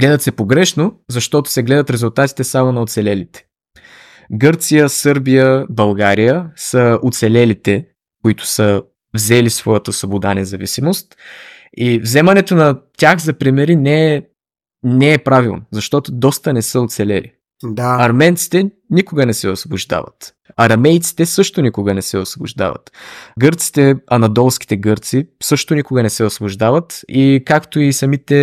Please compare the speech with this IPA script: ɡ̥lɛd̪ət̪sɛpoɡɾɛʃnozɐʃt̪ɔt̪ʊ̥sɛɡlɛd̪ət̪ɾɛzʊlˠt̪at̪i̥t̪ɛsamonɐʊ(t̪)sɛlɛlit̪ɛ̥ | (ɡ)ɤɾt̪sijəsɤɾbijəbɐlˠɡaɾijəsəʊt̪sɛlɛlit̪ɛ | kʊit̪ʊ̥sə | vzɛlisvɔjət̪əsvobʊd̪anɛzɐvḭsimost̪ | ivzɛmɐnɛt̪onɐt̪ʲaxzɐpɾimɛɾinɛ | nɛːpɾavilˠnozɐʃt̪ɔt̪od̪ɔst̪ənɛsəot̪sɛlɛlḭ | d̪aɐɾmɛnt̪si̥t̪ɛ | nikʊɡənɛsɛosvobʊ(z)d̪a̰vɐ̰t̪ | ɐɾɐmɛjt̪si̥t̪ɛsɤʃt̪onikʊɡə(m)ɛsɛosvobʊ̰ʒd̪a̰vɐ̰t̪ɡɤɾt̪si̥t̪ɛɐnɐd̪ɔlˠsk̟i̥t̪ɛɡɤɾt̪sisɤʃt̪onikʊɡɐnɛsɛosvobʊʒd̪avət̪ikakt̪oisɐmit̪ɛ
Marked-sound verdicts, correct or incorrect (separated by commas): correct, correct, incorrect, incorrect